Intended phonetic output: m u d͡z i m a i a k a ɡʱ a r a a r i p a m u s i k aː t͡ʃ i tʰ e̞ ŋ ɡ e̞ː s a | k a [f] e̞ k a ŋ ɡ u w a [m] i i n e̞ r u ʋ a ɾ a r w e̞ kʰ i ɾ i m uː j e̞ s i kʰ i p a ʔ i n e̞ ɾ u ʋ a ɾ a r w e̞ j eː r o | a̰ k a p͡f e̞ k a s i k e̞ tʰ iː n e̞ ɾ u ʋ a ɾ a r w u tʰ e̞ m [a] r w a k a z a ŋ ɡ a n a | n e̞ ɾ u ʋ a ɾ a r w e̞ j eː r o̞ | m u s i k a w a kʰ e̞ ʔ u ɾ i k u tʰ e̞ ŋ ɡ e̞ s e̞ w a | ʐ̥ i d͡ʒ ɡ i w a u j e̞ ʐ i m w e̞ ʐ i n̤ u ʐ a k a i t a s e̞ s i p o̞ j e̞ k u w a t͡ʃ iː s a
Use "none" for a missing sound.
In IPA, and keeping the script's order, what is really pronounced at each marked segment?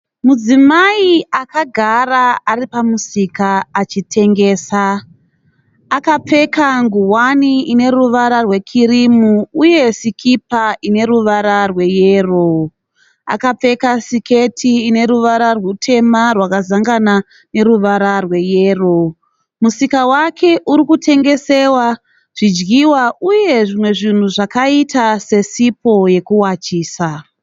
p͡f, n, a

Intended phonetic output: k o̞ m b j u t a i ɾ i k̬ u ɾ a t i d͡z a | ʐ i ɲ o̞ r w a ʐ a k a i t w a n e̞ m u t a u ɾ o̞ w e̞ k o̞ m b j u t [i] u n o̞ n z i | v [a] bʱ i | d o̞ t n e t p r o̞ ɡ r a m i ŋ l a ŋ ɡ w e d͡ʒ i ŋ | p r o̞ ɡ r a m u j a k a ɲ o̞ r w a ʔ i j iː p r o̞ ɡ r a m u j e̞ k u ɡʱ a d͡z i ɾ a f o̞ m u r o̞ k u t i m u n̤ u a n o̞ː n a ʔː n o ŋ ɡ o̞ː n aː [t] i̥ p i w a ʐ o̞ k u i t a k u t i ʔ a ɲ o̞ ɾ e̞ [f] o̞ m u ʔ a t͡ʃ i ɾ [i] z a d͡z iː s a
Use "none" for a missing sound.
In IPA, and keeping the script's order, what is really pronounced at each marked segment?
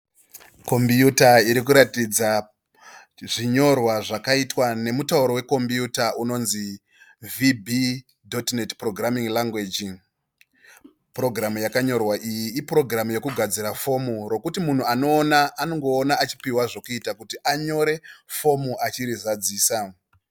a, i, t͡ʃ, f, i

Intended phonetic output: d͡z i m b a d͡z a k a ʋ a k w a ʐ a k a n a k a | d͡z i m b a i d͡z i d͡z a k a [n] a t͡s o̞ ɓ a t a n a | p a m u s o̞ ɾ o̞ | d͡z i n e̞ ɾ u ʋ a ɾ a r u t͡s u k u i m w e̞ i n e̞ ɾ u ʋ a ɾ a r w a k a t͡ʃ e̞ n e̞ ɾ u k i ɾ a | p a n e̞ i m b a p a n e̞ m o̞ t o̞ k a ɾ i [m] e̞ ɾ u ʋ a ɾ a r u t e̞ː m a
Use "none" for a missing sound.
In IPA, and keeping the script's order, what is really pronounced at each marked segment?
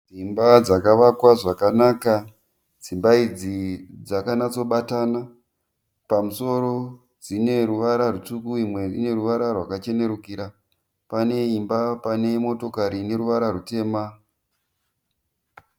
n, n

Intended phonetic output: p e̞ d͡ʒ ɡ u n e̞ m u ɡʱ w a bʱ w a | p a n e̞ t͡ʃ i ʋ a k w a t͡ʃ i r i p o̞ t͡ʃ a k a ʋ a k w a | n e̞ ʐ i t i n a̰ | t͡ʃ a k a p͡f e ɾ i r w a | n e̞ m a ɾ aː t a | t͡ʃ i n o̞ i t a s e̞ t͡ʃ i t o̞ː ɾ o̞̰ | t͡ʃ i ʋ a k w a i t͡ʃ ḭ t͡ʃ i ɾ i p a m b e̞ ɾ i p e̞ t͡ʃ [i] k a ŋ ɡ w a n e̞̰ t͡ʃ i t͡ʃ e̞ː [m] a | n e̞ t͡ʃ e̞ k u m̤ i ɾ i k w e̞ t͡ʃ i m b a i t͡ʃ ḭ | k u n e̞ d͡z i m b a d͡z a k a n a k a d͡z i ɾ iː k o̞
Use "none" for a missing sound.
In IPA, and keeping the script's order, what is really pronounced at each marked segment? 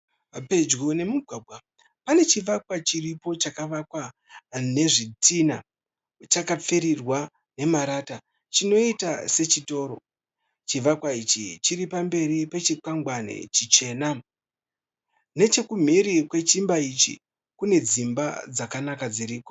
i, n

